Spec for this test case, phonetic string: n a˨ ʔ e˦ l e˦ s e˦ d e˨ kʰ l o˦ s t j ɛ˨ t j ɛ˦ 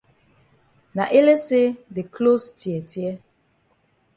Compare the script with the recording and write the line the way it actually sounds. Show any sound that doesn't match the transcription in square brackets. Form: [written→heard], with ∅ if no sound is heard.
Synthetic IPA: n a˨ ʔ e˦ l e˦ s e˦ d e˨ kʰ l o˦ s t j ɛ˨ t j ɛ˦